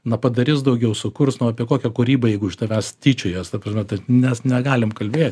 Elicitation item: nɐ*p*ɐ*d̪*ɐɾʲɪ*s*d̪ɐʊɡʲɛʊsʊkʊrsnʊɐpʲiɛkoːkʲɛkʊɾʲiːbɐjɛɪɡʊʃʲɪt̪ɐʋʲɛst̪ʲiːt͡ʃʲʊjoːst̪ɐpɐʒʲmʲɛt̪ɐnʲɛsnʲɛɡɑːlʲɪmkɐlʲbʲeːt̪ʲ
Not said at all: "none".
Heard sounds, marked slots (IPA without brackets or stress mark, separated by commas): p, d̪, s